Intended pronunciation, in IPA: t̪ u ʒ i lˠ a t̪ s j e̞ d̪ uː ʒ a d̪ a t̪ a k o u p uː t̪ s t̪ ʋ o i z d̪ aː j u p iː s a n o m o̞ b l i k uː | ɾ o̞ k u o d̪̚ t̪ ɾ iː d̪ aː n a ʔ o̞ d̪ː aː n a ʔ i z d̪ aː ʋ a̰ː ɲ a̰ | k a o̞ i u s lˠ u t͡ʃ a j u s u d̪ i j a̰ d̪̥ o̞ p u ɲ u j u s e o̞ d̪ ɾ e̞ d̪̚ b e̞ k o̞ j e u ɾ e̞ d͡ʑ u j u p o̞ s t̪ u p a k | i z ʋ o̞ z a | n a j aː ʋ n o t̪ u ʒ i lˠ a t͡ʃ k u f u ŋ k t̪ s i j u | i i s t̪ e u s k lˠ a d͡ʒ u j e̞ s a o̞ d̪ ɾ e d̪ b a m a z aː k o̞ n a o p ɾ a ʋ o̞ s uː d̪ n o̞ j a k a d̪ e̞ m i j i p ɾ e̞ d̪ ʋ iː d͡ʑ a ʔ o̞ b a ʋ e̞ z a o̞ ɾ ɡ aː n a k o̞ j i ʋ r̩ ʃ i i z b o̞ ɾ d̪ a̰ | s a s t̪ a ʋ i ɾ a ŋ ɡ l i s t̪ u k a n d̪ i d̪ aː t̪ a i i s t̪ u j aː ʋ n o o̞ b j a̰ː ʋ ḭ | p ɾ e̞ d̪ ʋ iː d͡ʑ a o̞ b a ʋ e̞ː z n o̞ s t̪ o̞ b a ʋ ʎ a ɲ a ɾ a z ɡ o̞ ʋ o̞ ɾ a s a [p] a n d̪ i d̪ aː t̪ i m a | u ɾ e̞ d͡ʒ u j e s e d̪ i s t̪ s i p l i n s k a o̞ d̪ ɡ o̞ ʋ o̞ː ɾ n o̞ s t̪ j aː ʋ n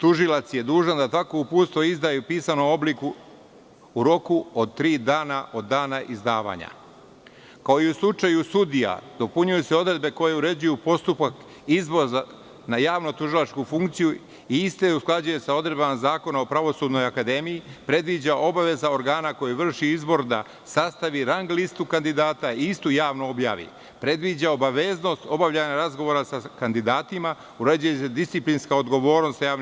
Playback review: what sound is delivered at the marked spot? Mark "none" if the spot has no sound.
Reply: k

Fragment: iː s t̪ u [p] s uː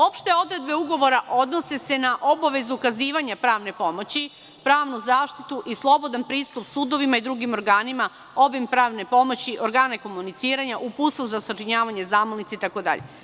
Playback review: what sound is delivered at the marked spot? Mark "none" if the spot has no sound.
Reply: p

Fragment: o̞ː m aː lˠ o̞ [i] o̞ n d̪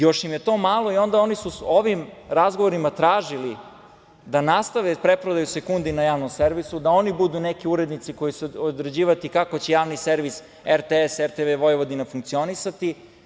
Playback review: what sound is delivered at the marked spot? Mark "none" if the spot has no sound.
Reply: i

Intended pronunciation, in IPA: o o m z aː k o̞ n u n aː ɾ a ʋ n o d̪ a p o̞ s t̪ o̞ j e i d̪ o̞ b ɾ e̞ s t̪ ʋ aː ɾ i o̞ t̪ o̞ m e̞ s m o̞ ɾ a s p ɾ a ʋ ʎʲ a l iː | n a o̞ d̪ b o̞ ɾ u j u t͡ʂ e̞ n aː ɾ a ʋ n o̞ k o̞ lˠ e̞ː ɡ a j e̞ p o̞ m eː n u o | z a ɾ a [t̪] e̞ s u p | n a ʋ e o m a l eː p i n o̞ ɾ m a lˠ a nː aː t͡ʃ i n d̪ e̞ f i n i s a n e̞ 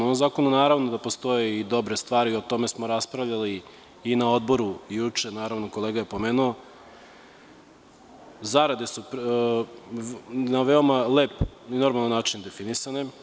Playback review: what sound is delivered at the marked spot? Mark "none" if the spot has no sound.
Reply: d̪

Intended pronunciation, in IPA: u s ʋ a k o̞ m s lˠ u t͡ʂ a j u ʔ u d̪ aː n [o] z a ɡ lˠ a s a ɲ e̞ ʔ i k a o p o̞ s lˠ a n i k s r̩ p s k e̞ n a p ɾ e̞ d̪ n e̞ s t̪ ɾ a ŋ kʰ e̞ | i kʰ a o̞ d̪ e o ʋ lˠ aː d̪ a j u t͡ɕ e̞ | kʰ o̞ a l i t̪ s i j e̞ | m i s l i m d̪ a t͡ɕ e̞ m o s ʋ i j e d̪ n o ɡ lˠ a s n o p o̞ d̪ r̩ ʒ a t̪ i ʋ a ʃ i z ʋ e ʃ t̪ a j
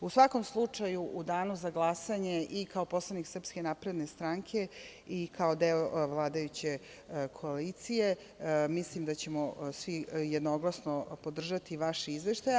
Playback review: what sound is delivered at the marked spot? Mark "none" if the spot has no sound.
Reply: u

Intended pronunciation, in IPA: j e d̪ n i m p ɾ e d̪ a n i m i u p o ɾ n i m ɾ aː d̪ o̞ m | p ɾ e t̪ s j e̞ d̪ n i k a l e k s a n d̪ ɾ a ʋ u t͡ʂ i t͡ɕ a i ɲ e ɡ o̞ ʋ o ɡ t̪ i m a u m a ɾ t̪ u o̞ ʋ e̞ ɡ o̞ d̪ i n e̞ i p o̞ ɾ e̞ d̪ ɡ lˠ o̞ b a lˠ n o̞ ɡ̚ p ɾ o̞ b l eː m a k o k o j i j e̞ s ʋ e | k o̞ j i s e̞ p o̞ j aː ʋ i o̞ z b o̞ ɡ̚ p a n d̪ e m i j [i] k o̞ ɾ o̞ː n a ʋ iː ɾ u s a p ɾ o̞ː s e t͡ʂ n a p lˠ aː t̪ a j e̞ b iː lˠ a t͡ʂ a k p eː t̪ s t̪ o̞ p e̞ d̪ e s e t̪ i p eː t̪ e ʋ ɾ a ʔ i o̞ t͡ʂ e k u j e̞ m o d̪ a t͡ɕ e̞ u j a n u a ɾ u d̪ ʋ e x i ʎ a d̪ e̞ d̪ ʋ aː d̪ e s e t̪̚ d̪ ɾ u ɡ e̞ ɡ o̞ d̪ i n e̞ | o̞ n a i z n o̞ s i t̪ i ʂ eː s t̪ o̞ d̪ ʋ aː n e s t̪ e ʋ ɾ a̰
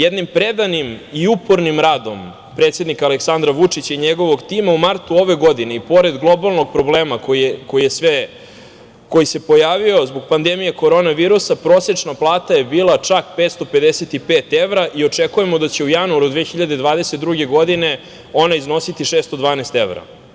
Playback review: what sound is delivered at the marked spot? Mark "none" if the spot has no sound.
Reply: e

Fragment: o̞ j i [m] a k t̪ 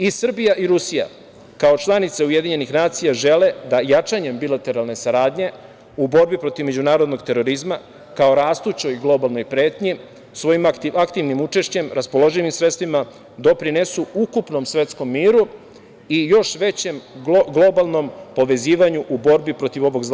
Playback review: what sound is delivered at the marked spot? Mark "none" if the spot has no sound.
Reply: m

